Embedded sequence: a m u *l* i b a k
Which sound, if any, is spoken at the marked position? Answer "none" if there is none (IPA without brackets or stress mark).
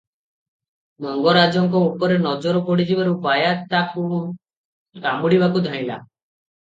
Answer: ɽ